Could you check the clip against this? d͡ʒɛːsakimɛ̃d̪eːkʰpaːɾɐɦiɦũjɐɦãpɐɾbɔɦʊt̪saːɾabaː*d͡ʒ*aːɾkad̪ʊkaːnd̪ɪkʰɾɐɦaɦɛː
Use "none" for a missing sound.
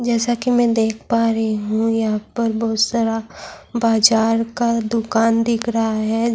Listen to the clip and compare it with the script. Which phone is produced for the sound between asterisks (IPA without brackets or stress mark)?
d͡ʒ